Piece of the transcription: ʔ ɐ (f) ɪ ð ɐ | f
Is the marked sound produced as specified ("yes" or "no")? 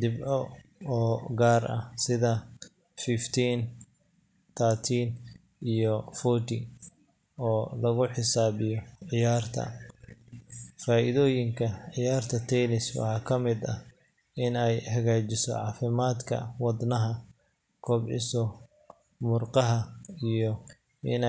no